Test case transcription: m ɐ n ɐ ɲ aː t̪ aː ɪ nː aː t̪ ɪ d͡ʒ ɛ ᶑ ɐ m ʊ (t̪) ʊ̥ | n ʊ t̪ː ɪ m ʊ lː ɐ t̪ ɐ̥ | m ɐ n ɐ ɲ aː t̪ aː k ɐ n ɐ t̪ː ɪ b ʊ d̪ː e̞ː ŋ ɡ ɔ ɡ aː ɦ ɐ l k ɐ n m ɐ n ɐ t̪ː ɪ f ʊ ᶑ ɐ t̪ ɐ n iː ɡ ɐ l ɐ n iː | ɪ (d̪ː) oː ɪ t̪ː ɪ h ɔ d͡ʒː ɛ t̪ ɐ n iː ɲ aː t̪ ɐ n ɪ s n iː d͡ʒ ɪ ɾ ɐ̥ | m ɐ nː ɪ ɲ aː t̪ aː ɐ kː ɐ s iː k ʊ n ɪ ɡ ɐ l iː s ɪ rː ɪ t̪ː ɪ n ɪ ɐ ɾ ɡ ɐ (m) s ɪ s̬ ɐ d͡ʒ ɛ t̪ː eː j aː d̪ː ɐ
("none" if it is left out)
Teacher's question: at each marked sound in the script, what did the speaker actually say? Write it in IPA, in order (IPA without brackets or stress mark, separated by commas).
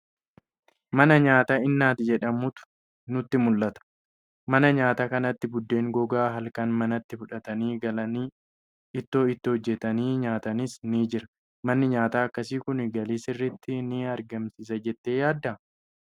t̪, t̪ː, m